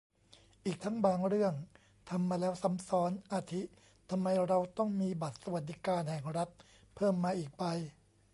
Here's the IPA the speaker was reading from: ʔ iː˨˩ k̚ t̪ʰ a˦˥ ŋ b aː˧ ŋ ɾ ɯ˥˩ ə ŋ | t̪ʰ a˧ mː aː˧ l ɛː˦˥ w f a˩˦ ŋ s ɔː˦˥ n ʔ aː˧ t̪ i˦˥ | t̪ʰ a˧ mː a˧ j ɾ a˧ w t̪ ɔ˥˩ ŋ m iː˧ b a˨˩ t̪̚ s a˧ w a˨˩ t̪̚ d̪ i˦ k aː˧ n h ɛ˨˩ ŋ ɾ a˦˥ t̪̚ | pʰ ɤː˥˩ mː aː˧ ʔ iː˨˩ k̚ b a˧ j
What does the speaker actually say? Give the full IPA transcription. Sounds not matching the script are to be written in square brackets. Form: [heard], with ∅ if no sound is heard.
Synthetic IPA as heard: ʔ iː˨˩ k̚ t̪ʰ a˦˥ ŋ b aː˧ ŋ ɾ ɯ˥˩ ə ŋ | t̪ʰ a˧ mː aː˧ l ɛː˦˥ w [s] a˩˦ [m] s ɔː˦˥ n ʔ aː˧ [t̪ʰ] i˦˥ | t̪ʰ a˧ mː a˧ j ɾ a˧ w t̪ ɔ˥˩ ŋ m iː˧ b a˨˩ t̪̚ s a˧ w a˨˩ t̪̚ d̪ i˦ k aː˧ n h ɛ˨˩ ŋ ɾ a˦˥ t̪̚ | pʰ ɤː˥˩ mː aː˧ ʔ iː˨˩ k̚ b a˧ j